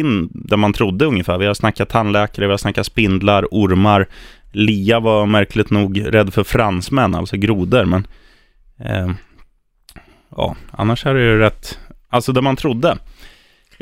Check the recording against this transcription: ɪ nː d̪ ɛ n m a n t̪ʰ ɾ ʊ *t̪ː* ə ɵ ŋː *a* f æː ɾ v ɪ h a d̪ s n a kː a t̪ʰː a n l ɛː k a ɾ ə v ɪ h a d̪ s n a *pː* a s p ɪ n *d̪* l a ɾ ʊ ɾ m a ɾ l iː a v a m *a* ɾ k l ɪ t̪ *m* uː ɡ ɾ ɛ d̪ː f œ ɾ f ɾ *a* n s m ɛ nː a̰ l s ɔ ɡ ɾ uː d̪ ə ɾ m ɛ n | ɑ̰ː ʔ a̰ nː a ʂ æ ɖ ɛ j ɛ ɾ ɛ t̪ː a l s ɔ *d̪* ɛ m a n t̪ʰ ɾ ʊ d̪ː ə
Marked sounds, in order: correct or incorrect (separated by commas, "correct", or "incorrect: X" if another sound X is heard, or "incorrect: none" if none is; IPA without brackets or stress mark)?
incorrect: d̪ː, incorrect: ə, incorrect: kː, correct, incorrect: æ, incorrect: n, correct, correct